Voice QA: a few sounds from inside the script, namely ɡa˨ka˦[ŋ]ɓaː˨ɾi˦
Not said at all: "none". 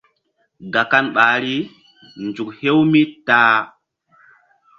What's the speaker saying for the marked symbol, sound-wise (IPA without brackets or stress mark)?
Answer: n